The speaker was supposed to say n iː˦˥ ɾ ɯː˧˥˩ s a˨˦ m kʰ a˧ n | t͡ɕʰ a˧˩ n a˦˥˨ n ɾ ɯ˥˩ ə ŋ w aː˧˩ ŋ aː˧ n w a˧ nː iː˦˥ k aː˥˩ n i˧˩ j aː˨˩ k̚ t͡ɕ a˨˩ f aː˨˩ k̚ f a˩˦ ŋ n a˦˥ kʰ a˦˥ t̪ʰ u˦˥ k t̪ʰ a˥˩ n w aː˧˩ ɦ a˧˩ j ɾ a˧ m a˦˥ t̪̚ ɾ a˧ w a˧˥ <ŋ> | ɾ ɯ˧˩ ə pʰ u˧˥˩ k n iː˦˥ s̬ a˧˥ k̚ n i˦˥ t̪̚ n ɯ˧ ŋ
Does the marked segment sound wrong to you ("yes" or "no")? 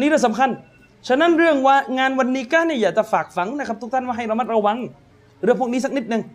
no